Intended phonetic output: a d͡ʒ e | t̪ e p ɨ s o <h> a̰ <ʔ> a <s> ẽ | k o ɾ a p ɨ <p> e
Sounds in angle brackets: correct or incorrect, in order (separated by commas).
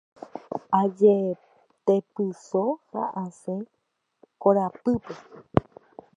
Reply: correct, correct, correct, correct